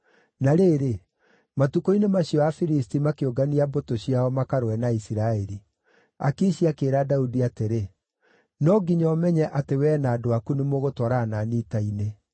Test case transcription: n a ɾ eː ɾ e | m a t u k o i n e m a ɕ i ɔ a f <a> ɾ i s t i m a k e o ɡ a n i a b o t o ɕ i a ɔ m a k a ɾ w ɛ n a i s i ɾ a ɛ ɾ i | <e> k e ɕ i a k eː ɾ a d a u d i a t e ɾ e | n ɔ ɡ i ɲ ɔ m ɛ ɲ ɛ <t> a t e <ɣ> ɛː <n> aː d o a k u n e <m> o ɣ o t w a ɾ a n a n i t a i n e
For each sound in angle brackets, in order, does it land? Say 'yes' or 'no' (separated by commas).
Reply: no, no, no, no, yes, yes